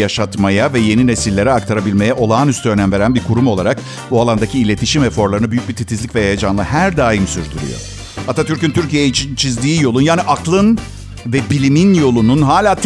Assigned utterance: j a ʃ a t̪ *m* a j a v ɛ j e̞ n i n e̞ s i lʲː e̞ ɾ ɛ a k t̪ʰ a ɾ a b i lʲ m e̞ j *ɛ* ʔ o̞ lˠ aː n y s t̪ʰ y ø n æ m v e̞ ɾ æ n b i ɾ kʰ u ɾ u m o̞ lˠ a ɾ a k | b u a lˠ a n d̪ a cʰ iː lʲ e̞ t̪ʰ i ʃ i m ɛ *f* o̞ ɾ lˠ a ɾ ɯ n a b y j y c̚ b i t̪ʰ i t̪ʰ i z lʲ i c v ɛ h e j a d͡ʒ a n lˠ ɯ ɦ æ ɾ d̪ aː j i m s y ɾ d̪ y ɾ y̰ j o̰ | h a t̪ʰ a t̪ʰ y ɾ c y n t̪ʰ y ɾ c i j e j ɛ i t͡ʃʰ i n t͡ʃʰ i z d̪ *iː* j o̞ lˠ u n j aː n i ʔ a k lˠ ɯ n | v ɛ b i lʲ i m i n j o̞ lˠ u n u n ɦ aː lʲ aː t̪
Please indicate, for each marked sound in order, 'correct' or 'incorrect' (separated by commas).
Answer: correct, correct, correct, correct